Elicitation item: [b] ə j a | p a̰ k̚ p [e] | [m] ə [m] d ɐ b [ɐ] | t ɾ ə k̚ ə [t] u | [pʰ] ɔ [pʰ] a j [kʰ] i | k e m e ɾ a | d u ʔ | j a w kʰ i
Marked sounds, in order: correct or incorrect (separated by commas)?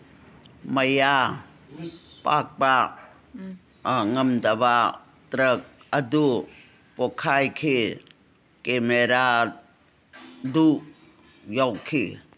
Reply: incorrect, incorrect, incorrect, correct, incorrect, incorrect, incorrect, incorrect, correct